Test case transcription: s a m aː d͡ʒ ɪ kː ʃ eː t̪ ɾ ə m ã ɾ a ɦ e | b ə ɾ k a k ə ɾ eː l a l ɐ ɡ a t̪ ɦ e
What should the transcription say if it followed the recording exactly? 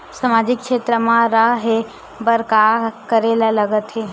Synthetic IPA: s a m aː d͡ʒ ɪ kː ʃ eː t̪ ɾ ə m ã ɾ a ɦ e | b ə ɾ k a k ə ɾ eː l a l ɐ ɡ ə t̪ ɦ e